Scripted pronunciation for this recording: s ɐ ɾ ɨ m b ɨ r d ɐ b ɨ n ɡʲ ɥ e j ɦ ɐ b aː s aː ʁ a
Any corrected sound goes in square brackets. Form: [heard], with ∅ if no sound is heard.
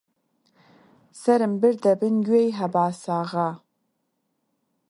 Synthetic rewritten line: s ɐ ɾ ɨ m b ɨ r d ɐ b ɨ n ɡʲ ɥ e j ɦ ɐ b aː s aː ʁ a